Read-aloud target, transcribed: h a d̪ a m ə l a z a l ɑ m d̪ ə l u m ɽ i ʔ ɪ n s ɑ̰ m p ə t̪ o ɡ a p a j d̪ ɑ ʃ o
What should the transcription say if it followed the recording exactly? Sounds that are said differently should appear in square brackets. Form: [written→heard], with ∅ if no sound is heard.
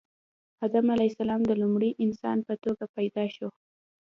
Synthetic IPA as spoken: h a d̪ a m [ə→a] l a [z→s] a l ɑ m d̪ ə l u m ɽ i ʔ ɪ n s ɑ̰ [m→n] p ə t̪ o ɡ a p a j d̪ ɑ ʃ o